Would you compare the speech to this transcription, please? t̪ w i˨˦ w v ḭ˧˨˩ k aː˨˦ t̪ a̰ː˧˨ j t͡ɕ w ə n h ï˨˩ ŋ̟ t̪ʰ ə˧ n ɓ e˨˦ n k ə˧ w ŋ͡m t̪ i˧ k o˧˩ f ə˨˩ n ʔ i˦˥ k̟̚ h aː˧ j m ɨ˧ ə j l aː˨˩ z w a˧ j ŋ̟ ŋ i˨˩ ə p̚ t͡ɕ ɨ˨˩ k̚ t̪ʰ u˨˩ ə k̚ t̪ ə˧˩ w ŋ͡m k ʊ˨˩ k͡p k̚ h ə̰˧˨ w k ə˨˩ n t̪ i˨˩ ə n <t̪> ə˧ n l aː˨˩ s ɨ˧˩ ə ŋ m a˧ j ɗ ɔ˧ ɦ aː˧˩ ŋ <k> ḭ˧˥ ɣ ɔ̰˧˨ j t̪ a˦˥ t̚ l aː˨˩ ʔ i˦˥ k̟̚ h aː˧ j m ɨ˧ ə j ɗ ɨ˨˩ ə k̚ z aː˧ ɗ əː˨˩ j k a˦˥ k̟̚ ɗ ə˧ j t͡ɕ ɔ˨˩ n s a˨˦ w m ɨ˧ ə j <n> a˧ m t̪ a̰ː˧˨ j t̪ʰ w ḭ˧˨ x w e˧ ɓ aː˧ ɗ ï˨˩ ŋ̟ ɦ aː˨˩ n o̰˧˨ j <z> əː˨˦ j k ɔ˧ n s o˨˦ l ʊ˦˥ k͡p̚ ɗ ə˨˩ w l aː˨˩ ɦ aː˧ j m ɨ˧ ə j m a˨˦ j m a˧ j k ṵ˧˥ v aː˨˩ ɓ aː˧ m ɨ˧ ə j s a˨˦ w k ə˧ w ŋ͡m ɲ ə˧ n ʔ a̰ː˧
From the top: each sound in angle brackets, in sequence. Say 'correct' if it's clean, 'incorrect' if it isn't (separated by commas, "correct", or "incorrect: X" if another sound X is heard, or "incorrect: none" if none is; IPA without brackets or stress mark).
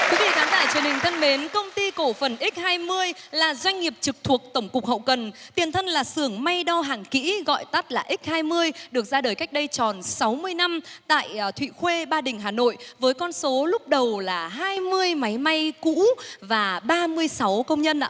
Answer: incorrect: t̪ʰ, correct, correct, incorrect: v